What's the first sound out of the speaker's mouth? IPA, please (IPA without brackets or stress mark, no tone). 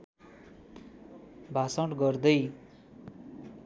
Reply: bʱ